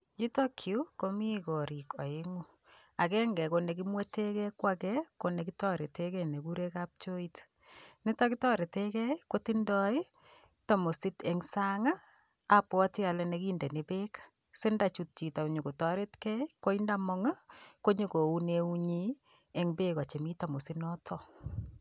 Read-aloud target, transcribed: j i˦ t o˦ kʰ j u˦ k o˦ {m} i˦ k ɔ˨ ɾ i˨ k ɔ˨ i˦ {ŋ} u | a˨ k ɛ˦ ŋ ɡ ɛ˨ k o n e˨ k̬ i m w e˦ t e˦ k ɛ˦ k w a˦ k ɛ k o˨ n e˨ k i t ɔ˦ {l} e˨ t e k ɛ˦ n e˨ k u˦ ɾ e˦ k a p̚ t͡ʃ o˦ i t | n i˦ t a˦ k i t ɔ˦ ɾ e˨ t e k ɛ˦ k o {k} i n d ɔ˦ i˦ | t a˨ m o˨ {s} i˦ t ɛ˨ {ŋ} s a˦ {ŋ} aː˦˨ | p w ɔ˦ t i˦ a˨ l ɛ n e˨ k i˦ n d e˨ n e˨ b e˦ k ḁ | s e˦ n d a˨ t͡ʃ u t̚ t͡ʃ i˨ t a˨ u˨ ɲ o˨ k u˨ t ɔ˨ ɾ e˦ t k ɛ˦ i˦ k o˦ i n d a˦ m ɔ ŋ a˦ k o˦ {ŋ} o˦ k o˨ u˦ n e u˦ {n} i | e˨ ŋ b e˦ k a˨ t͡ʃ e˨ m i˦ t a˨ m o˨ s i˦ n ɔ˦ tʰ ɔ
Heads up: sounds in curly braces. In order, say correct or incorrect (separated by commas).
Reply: correct, correct, incorrect, incorrect, correct, correct, correct, incorrect, incorrect